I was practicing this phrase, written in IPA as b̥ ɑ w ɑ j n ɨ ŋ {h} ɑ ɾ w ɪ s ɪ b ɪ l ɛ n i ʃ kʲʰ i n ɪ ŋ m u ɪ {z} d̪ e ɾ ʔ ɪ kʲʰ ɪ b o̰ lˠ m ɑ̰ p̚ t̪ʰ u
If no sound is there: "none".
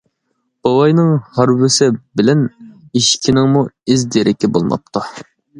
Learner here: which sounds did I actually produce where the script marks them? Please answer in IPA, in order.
h, z

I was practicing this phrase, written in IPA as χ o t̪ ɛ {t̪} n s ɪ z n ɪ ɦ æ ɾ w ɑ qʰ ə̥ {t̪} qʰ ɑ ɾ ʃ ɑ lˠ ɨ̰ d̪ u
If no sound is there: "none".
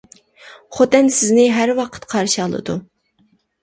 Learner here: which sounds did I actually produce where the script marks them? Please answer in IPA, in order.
none, t̪

